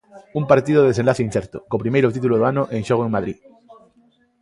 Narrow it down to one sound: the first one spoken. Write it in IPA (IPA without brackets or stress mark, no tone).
u